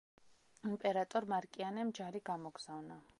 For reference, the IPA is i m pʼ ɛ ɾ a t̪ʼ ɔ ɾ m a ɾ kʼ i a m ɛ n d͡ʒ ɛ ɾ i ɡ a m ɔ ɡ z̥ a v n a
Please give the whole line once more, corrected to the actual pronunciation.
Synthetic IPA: i m pʼ ɛ ɾ a t̪ʼ ɔ ɾ m a ɾ kʼ i a n ɛ m d͡ʒ a ɾ i ɡ a m ɔ ɡ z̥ a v n a